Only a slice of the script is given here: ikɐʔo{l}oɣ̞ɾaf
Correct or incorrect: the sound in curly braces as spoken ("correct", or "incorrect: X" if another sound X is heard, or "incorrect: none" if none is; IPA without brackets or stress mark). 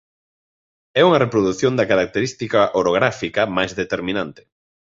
incorrect: ɾ